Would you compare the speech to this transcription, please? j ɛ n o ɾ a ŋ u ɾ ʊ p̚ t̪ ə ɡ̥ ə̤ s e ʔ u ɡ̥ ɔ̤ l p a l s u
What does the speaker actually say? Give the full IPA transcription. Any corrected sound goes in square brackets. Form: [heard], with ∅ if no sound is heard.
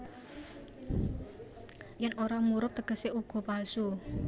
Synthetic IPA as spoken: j ɛ n o ɾ a [m] u ɾ ʊ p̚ t̪ ə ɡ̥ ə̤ s e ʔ u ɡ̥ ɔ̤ [∅] p a l s u